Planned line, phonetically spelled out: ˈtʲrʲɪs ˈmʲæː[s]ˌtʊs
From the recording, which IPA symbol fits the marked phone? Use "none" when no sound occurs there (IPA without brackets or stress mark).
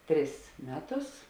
none